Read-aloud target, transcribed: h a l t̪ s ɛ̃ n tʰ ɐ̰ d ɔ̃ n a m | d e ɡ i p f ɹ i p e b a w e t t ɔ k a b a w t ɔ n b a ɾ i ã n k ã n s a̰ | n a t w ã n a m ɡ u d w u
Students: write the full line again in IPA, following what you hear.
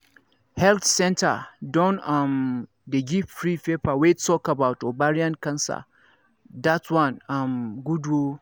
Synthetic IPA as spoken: h ɛ l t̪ s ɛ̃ n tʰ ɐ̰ d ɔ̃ n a m | d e ɡ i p f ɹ i p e p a w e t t ɔ k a b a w t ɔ b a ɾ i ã n k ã n s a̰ | d a t w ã n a m ɡ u d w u

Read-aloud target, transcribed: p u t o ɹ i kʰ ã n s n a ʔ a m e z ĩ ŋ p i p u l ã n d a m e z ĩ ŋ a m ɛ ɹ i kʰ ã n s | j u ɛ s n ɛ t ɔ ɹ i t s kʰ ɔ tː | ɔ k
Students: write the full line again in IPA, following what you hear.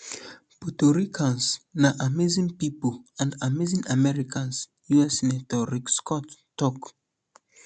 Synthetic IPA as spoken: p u t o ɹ i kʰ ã n s n a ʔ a m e z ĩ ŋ p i p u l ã n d a m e z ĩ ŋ a m ɛ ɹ i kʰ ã n s | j u ɛ s n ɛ t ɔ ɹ i k s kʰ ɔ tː | ɔ k

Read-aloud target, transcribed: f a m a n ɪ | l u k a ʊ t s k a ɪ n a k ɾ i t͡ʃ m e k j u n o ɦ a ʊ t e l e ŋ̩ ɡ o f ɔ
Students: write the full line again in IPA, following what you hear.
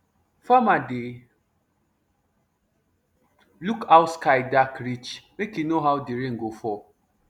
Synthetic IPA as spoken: f a m a d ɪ | l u k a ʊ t s k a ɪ d a k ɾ i t͡ʃ m e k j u n o ɦ a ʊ d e ɾ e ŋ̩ ɡ o f ɔ

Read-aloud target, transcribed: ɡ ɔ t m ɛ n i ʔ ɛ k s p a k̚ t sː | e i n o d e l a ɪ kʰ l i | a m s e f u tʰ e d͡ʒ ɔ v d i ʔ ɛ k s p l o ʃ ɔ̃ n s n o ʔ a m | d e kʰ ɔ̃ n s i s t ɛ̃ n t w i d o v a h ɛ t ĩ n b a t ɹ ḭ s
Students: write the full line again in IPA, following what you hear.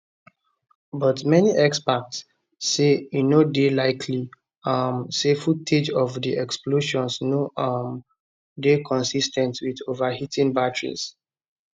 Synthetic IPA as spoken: b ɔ t m ɛ n i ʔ ɛ k s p a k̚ t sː | e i n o d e l a ɪ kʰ l i | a m s e f u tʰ e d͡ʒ ɔ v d i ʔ ɛ k s p l o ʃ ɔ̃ n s n o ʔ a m | d e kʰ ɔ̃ n s i s t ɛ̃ n t w i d o v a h i t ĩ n b a t ɹ ḭ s

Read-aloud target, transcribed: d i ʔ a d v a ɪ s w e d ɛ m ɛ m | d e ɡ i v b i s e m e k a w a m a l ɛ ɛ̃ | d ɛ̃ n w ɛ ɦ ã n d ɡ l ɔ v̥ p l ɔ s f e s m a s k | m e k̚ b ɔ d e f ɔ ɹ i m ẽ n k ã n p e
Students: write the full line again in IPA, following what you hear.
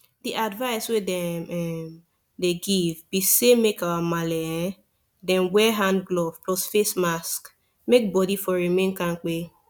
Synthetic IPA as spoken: d i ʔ a d v a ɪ s w e d ɛ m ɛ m | d e ɡ i v b i s e m e k a w a m a l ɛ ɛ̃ | d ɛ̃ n w ɛ ɦ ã n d ɡ l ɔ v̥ p l ɔ s f e s m a s k | m e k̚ b ɔ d i f ɔ ɹ i m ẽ n k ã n k͡p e

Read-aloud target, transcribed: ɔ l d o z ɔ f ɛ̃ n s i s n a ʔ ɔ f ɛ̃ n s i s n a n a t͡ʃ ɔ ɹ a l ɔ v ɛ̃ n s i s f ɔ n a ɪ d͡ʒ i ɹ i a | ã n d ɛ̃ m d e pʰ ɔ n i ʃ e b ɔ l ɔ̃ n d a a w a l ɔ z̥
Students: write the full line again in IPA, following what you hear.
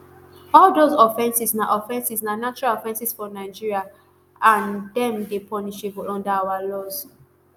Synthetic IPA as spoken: ɔ l d o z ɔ f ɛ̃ n s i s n a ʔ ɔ f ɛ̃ n s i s n a n a t͡ʃ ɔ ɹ a l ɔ f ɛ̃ n s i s f ɔ n a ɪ d͡ʒ i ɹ i a | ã n d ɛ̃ m d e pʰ ɔ n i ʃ e b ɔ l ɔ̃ n d a a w a l ɔ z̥

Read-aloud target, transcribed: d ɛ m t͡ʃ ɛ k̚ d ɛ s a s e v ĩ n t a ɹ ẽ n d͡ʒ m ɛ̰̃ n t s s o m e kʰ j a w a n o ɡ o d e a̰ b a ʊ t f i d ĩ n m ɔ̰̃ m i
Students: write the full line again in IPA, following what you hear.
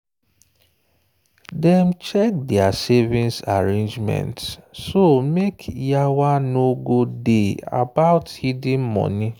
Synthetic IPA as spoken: d ɛ m t͡ʃ ɛ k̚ d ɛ a s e v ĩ n s a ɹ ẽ n d͡ʒ m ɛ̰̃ n t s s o m e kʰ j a w a n o ɡ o d e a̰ b a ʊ t h i d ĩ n m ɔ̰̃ n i

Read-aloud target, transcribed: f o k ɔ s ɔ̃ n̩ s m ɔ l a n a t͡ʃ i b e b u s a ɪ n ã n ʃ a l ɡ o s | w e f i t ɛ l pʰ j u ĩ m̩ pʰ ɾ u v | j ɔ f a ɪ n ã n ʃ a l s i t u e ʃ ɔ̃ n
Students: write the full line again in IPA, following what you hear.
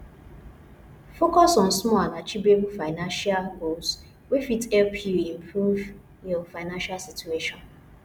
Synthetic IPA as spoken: f o k ɔ s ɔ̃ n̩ s m ɔ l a n a t͡ʃ i b e b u f a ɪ n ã n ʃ a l ɡ o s | w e f i t ɛ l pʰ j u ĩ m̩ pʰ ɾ u v | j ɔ f a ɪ n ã n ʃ a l s i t u e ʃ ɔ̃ n

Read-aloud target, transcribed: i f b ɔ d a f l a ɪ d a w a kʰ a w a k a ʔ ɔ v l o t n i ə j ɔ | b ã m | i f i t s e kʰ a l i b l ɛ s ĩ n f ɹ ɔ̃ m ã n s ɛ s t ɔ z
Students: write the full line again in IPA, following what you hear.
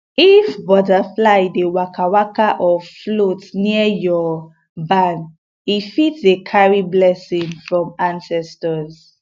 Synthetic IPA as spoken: i f b ɔ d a f l a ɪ d e w a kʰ a w a k a ʔ ɔ f l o t n i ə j ɔ | b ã n | i f i t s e kʰ a ɹ i b l ɛ s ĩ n f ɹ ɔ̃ m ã n s ɛ s t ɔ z

